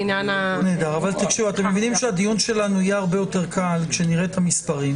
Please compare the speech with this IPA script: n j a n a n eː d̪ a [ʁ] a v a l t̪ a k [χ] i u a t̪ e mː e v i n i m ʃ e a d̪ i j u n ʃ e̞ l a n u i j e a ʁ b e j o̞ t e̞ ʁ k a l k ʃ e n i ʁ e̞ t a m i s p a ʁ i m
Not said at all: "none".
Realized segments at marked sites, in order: ʁ, ʃ

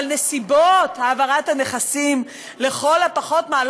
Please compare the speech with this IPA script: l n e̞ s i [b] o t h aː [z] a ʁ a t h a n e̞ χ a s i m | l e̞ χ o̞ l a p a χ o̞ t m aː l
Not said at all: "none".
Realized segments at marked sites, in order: b, v

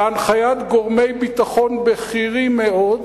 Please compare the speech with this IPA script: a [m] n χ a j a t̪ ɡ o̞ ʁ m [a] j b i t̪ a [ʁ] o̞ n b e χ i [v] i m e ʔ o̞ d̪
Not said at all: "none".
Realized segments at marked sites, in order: none, e, χ, ʁ

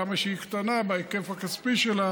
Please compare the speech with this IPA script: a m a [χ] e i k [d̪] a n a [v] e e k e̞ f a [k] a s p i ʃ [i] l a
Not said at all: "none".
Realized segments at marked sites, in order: ʃ, t̪, b, k, e

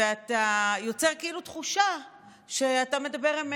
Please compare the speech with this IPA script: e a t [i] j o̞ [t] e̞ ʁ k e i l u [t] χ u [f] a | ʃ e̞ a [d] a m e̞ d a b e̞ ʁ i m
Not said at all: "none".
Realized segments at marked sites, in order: a, t͡s, t, ʃ, t

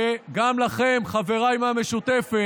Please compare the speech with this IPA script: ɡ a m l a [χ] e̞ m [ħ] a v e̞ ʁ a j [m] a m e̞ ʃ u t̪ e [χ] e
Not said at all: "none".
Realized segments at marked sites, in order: χ, χ, m, f

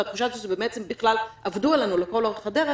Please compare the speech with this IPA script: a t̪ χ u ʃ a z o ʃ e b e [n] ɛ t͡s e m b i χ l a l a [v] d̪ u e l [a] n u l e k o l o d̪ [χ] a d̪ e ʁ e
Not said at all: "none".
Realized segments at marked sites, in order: m, v, a, χ

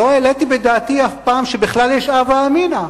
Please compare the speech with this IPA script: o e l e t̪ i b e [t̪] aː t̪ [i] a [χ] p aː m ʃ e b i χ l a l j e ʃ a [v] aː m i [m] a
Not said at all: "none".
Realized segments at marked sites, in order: d̪, i, f, v, n

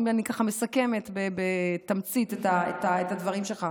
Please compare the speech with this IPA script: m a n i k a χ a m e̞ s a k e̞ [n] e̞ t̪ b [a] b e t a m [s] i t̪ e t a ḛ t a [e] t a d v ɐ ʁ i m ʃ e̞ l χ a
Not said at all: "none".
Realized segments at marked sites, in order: m, e, t͡s, e

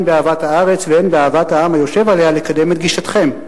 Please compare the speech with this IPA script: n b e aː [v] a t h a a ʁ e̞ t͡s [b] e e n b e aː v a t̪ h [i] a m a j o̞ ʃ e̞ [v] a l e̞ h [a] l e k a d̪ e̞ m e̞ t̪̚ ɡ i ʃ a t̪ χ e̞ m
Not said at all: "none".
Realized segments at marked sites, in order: v, v, a, v, a

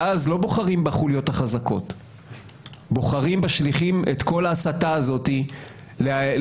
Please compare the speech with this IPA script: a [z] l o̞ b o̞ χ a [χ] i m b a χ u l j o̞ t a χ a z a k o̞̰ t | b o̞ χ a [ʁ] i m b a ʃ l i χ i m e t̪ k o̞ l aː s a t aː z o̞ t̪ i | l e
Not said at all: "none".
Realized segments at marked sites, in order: z, ʁ, ʁ

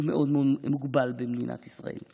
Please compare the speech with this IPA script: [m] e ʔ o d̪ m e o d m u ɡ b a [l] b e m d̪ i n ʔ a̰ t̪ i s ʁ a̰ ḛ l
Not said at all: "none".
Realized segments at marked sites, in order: m, l

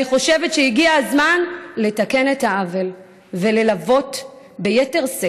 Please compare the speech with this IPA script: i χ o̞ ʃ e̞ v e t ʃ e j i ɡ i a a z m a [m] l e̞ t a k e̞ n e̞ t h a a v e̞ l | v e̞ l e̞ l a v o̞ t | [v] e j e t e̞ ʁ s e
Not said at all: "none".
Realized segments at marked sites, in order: n, b

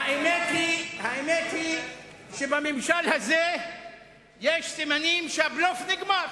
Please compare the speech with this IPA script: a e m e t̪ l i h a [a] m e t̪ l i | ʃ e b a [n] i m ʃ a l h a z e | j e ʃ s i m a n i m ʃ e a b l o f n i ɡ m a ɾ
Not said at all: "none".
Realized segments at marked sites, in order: e, m

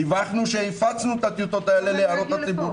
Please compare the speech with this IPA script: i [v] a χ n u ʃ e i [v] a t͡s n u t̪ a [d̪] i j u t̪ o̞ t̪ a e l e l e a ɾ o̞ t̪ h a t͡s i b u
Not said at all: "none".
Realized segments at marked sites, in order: v, f, t̪

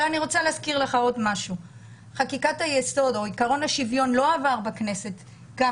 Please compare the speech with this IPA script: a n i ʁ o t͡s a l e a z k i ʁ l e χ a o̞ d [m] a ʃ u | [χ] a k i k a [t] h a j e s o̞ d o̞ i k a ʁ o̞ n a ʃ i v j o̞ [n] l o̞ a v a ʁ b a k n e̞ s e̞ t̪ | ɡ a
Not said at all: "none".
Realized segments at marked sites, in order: m, χ, t, n

